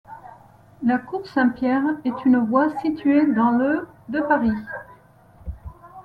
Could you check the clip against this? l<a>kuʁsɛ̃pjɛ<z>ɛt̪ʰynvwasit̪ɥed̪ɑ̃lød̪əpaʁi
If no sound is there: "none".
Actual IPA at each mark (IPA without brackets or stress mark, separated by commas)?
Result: a, ʁ